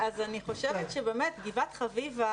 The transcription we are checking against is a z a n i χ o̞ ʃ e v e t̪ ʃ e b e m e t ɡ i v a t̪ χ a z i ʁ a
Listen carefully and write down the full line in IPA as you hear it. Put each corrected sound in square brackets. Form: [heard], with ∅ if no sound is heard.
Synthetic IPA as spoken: a z a n i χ o̞ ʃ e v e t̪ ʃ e b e m e t ɡ i v a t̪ χ a [v] i [v] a